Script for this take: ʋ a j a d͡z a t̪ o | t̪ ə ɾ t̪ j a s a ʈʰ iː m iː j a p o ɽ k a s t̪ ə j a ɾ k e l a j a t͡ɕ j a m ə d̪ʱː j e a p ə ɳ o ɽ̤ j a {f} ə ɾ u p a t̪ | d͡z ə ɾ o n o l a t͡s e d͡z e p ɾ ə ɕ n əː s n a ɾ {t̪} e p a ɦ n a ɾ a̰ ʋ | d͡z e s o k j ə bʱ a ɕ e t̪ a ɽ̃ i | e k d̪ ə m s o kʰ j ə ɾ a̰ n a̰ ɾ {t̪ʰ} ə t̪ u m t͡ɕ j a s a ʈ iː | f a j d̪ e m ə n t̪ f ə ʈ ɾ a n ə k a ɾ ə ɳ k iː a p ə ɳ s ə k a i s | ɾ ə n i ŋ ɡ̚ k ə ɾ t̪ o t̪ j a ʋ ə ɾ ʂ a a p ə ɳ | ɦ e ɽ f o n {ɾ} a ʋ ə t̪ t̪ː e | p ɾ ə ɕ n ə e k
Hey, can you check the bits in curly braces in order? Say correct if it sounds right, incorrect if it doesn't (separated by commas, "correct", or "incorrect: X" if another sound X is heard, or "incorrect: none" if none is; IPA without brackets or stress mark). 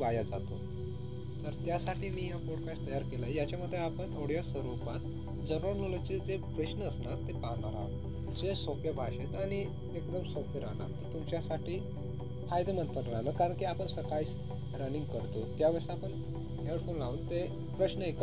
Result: incorrect: s, correct, incorrect: t̪, incorrect: l